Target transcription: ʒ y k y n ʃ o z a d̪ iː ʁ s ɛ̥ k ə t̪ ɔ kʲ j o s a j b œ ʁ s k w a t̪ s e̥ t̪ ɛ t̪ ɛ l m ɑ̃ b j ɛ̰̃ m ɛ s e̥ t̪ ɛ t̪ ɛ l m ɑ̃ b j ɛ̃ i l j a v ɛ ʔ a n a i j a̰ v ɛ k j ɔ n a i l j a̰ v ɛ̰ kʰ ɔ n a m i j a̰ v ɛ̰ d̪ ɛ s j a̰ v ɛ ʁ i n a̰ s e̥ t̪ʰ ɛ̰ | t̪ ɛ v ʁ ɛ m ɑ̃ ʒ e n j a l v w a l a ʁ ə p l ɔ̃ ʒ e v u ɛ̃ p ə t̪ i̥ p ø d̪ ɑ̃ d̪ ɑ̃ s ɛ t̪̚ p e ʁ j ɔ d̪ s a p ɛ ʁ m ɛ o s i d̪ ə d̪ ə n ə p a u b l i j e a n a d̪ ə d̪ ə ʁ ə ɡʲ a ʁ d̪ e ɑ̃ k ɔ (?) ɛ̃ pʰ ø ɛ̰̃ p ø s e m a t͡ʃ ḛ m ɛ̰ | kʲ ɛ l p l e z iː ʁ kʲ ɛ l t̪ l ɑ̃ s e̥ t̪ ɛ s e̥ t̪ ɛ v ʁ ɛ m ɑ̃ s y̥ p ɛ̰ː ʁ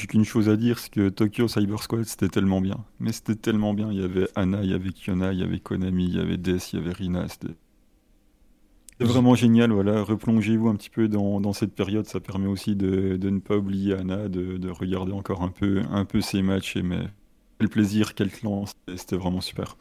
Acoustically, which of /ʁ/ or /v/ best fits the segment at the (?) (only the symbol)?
ʁ